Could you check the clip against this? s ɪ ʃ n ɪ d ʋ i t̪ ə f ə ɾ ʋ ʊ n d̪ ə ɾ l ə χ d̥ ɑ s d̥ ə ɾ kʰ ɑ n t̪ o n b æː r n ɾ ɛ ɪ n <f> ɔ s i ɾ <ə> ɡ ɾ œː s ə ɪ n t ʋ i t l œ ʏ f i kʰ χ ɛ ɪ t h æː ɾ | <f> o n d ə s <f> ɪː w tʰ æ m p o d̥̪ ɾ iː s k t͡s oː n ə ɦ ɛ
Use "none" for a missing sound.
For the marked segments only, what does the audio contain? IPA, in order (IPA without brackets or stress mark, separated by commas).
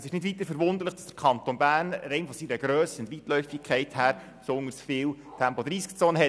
f, ə, s, f